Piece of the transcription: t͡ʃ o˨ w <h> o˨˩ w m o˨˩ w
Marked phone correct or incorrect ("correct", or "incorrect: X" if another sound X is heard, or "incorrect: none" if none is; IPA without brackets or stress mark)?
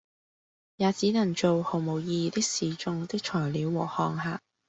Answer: correct